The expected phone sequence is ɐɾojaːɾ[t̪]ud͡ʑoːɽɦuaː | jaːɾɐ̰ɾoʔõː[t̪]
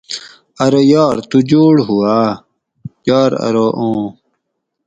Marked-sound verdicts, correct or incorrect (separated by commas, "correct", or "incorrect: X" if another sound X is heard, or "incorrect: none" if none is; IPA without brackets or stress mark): correct, incorrect: none